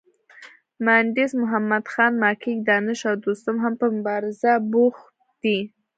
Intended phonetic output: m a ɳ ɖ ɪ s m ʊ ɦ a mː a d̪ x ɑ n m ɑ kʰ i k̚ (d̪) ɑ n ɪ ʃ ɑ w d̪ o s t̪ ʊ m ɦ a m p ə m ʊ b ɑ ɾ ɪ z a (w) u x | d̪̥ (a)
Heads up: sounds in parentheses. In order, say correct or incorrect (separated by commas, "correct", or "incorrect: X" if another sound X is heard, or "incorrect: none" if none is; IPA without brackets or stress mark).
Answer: correct, incorrect: b, incorrect: i